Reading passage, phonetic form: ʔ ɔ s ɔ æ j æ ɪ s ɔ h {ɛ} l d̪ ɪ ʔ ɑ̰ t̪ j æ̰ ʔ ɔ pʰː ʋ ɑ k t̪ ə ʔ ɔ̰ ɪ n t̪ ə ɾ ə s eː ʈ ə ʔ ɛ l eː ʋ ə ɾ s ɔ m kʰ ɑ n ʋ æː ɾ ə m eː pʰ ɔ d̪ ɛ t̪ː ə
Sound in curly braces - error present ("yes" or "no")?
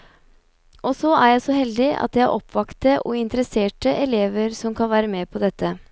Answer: no